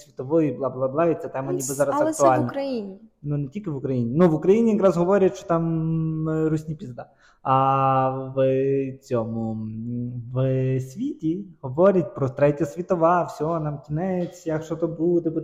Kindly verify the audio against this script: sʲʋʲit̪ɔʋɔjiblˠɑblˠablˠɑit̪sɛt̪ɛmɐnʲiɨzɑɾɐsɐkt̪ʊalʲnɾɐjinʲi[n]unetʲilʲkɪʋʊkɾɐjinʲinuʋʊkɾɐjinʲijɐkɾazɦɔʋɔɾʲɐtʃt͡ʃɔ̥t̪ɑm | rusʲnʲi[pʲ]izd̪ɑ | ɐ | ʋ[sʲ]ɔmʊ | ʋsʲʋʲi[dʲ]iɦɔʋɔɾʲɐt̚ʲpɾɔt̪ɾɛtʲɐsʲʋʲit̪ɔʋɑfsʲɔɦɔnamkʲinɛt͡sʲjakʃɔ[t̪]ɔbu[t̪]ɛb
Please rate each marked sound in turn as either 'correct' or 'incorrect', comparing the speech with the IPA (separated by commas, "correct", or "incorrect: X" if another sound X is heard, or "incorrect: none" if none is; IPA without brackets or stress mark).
correct, correct, incorrect: t͡sʲ, incorrect: tʲ, correct, incorrect: d̪